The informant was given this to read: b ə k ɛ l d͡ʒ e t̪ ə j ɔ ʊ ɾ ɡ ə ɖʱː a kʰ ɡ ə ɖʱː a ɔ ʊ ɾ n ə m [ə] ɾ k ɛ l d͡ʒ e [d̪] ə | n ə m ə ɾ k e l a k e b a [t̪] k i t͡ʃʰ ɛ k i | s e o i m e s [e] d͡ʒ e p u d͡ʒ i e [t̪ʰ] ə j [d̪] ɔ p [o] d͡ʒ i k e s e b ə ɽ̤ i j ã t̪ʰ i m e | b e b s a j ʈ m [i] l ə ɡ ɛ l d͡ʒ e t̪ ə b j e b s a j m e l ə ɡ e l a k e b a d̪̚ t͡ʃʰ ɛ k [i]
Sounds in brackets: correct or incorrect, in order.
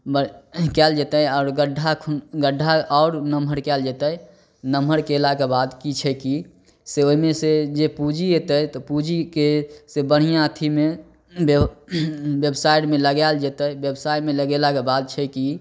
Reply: correct, incorrect, incorrect, correct, incorrect, incorrect, incorrect, incorrect, correct

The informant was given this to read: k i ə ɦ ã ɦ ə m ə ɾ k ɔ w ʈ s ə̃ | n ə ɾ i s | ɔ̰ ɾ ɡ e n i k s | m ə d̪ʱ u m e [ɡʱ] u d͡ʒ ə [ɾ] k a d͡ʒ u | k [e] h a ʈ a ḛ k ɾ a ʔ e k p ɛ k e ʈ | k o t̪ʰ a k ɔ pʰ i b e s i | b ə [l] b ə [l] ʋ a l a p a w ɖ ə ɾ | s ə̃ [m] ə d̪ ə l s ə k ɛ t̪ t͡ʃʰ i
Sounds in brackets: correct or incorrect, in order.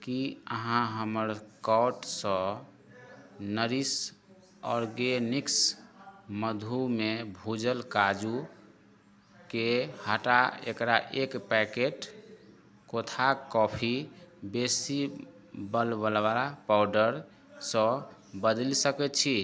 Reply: incorrect, incorrect, correct, correct, correct, incorrect

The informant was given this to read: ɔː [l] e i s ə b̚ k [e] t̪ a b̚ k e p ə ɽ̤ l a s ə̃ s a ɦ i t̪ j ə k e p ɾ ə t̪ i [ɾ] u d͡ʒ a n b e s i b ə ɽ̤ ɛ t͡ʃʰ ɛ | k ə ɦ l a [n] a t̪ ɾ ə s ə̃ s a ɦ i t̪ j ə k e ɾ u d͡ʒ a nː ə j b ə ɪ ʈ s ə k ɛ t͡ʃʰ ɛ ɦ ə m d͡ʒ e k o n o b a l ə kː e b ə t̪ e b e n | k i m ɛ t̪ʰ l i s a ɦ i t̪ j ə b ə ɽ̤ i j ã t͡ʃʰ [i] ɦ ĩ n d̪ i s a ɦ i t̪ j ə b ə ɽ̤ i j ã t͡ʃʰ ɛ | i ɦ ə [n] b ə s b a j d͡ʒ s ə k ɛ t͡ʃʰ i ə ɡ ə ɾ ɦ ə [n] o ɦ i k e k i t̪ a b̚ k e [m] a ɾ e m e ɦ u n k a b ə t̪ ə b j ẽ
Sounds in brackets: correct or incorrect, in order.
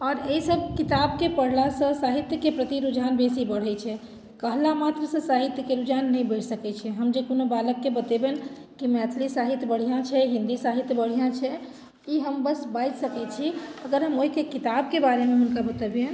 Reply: incorrect, incorrect, correct, incorrect, incorrect, incorrect, incorrect, incorrect

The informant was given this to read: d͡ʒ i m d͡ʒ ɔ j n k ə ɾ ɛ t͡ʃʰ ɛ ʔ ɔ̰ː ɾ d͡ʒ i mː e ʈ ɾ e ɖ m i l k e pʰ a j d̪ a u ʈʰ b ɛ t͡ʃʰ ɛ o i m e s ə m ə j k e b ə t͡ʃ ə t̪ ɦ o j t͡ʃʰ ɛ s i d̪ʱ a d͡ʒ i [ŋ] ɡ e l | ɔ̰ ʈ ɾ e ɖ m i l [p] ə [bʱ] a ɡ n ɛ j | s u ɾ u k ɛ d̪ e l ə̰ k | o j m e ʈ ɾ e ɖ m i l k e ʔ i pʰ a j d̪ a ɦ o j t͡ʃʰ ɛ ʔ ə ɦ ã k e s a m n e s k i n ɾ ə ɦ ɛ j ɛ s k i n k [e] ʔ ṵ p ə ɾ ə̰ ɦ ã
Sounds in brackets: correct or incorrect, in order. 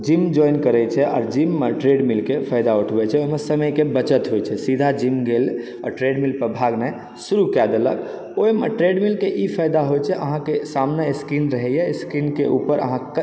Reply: incorrect, correct, correct, correct

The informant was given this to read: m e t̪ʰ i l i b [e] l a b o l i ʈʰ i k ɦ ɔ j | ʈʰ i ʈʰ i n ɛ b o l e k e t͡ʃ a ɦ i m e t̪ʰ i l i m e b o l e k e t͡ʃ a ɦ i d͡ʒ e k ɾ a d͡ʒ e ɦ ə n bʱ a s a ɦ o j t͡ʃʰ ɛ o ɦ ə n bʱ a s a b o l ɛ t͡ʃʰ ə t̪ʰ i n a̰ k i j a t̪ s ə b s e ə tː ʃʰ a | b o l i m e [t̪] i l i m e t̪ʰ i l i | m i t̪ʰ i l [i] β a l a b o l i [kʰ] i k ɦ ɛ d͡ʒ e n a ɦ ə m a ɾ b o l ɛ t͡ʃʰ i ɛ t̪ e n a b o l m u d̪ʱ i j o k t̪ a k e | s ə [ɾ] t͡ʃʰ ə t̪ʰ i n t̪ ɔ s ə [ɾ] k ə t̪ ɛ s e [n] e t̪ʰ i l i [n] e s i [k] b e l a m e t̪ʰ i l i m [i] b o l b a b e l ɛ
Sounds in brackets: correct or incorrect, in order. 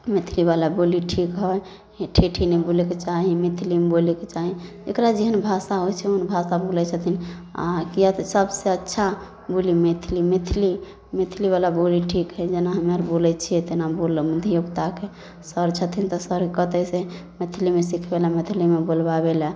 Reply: incorrect, incorrect, correct, incorrect, correct, correct, incorrect, incorrect, incorrect, incorrect

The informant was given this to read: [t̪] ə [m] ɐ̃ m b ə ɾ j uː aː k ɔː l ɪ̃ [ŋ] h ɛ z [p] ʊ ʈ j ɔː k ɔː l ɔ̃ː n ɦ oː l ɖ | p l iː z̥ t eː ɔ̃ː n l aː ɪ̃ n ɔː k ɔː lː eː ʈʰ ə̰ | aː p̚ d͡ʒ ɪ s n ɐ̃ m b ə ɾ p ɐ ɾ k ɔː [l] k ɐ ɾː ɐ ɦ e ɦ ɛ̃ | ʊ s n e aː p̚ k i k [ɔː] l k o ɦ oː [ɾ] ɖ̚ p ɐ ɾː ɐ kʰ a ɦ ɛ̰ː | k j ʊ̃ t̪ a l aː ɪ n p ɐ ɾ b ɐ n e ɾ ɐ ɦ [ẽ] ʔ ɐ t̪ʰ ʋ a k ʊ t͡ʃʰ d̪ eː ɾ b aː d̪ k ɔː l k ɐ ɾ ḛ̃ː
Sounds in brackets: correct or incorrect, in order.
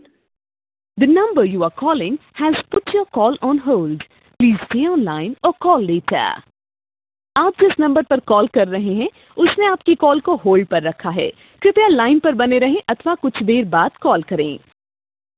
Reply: incorrect, incorrect, correct, correct, correct, correct, incorrect, correct

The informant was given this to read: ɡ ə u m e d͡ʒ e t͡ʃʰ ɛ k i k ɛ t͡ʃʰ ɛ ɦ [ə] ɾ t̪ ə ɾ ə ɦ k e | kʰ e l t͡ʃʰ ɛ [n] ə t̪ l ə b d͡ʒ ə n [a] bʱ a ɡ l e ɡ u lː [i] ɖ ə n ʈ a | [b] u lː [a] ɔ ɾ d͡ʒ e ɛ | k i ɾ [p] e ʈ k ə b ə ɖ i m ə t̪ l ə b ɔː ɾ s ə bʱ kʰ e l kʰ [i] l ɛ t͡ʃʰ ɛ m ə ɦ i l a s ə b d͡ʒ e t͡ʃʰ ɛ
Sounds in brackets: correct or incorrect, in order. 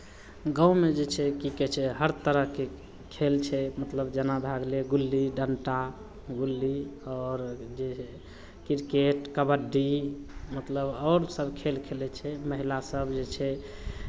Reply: correct, incorrect, correct, correct, incorrect, incorrect, incorrect, incorrect

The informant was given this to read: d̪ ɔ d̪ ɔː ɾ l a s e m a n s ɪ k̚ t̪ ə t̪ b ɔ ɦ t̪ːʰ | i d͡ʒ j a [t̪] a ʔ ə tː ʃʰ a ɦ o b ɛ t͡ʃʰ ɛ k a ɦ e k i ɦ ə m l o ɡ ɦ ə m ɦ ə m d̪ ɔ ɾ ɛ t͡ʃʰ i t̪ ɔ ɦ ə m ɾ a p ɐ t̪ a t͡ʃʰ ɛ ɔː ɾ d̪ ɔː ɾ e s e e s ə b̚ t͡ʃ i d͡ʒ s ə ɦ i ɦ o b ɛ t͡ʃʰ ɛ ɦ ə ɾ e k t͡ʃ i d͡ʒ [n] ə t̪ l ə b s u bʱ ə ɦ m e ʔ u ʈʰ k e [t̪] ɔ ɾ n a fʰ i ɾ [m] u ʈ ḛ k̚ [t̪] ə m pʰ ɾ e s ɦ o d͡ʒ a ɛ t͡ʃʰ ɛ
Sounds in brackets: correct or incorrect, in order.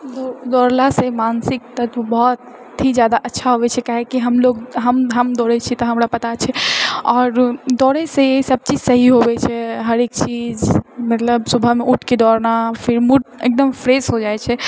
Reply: incorrect, incorrect, incorrect, correct, incorrect

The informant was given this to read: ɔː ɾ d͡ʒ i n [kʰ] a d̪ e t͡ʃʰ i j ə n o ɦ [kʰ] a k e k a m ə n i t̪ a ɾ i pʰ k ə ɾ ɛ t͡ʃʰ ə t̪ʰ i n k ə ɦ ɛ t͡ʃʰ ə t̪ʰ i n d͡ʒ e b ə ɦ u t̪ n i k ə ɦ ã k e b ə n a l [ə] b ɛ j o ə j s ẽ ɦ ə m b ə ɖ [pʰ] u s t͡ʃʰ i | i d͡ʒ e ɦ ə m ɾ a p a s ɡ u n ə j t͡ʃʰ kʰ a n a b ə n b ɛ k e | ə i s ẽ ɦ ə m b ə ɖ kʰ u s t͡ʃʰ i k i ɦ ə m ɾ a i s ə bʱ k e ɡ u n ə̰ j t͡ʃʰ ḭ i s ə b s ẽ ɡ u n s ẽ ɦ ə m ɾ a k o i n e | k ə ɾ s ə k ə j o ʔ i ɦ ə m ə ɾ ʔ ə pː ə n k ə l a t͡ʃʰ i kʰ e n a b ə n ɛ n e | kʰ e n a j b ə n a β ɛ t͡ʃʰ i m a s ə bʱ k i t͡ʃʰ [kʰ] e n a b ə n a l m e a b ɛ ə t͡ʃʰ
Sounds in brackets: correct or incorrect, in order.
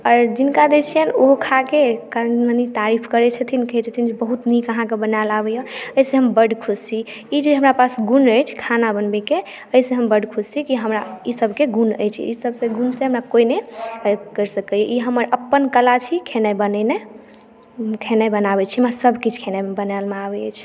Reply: incorrect, correct, incorrect, incorrect, correct

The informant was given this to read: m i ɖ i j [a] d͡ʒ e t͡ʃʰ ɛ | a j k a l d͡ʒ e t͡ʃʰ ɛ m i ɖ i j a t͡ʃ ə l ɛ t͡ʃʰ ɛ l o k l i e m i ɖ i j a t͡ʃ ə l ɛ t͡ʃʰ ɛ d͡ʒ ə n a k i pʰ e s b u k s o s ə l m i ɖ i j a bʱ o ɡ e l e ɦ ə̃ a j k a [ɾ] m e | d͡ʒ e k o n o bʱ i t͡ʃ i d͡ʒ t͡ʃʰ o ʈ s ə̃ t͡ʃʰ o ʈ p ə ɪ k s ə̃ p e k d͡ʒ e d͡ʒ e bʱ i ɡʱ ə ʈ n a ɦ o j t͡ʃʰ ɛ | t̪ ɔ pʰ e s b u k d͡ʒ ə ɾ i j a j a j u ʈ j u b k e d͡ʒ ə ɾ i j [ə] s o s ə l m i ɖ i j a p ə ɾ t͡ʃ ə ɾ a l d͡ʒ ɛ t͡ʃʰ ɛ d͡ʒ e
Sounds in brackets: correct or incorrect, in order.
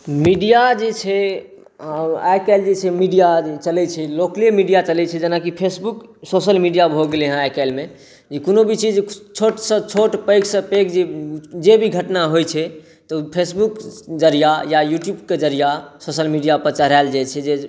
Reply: correct, incorrect, incorrect

